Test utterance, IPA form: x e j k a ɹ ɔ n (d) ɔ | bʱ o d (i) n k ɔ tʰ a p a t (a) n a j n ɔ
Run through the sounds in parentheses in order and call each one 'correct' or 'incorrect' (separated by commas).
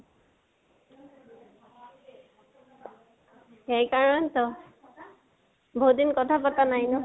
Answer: incorrect, correct, correct